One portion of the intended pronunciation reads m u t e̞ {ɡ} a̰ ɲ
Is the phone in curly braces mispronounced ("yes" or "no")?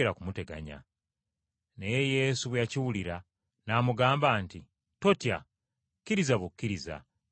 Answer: no